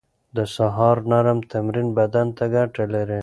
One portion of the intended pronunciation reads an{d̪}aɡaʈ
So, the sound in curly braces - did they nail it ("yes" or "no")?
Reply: no